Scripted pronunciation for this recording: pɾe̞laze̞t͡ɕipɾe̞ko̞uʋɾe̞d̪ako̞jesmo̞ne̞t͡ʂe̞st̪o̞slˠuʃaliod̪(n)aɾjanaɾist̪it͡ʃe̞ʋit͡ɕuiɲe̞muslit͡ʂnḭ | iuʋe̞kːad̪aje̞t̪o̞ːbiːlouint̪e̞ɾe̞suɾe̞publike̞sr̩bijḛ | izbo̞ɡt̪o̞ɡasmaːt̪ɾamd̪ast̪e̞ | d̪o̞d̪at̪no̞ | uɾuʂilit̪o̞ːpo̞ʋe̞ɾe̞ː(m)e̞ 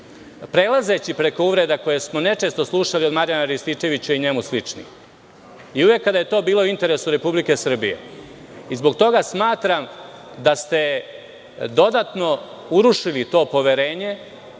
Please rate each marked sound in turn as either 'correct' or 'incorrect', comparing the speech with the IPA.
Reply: incorrect: m, incorrect: ɲ

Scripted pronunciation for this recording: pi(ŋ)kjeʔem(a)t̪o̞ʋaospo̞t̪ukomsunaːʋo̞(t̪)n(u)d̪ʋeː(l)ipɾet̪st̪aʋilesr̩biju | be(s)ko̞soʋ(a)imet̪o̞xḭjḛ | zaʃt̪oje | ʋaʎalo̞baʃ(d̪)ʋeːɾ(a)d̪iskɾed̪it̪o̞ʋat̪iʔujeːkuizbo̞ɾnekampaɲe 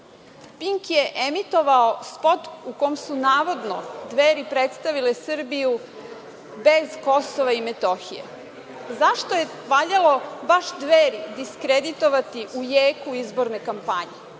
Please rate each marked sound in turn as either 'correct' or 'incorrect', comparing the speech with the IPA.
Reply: correct, incorrect: i, incorrect: d̪, incorrect: o, incorrect: ɾ, incorrect: z, correct, correct, incorrect: i

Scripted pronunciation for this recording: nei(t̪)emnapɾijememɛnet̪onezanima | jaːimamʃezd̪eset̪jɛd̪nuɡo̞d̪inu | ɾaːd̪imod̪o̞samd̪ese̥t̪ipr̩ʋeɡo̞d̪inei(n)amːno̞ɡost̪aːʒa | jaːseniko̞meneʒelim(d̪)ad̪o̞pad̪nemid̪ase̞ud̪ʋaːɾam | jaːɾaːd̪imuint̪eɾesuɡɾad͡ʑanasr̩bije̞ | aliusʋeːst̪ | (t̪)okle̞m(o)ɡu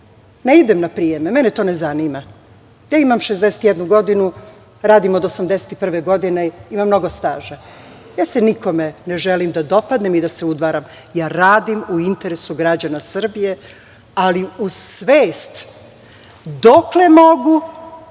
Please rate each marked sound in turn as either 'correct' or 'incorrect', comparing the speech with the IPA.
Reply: incorrect: d̪, incorrect: m, correct, incorrect: d̪, correct

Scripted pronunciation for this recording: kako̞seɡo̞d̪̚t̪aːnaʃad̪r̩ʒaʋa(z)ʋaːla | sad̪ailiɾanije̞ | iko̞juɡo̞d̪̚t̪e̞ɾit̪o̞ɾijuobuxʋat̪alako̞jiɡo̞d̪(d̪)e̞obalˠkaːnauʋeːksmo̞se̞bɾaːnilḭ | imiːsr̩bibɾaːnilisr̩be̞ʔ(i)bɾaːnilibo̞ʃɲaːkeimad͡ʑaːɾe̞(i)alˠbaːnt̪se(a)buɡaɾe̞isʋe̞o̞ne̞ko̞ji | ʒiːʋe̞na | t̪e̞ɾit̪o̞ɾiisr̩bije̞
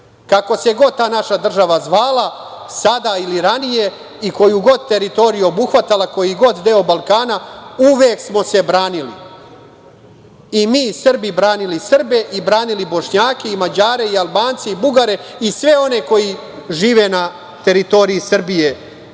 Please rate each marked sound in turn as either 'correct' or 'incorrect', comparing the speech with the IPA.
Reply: correct, correct, correct, correct, incorrect: i

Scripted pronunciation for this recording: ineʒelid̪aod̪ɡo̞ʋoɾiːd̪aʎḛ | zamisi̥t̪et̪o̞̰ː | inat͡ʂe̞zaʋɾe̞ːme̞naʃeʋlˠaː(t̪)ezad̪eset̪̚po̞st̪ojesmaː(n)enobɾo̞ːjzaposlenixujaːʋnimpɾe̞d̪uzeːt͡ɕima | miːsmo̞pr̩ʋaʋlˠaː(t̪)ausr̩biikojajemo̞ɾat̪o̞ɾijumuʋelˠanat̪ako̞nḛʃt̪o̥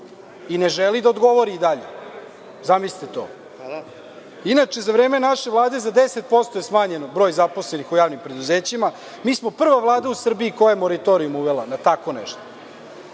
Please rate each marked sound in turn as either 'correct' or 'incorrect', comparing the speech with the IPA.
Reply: incorrect: d̪, incorrect: ɲ, incorrect: d̪

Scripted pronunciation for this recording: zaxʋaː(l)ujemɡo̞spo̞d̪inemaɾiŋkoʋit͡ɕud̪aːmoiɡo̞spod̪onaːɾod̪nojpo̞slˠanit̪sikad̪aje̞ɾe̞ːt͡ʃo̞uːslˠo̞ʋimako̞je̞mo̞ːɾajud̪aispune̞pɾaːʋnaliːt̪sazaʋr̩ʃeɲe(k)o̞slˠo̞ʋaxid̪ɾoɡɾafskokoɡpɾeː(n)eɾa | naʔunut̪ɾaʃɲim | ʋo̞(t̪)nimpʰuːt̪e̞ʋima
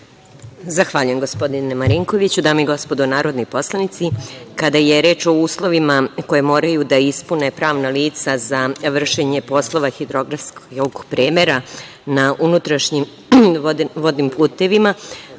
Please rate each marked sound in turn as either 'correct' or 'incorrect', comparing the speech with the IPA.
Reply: incorrect: ʎ, incorrect: p, incorrect: m, incorrect: d̪

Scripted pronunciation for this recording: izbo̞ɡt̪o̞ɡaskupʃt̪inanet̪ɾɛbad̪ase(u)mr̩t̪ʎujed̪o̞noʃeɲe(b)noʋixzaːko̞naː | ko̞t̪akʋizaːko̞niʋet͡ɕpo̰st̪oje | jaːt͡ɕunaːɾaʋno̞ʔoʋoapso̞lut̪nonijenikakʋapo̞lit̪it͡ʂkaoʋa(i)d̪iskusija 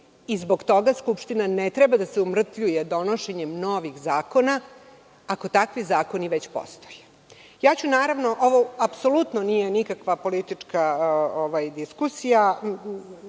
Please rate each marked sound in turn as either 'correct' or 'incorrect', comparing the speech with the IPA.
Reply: correct, incorrect: m, incorrect: j

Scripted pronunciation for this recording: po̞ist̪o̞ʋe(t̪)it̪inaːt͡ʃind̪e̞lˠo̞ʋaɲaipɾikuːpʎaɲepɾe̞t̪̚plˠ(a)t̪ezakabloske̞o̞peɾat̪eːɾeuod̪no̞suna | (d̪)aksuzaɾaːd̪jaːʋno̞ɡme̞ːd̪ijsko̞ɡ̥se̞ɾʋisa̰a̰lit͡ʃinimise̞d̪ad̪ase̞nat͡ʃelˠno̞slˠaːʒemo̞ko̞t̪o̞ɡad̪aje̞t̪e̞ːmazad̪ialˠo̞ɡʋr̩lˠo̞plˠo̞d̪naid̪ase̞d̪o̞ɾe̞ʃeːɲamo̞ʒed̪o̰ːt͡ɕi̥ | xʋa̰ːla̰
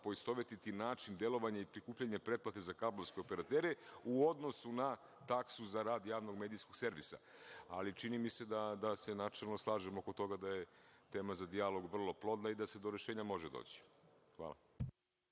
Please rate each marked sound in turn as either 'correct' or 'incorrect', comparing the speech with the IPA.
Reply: correct, correct, incorrect: t̪

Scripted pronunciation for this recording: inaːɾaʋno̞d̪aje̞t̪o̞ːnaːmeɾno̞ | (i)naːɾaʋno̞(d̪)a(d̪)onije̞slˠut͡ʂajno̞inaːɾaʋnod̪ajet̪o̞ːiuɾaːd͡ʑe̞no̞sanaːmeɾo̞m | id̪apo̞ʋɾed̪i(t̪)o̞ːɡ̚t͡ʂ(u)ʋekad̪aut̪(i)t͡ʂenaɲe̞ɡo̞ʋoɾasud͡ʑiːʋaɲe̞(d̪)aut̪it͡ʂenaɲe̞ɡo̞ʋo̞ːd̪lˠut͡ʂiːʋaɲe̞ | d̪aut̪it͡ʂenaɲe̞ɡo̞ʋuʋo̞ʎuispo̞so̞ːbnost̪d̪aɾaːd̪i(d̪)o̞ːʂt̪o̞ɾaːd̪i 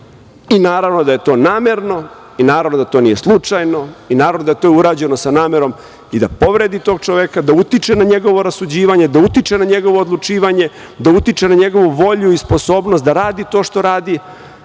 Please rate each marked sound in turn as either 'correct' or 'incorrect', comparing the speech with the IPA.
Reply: correct, correct, incorrect: t̪, correct, incorrect: o, correct, correct, incorrect: t̪

